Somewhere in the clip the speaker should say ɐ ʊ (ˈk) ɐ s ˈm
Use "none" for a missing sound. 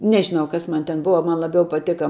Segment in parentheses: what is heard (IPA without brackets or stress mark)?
k